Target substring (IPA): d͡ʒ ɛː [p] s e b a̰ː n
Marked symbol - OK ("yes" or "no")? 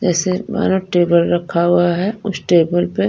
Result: no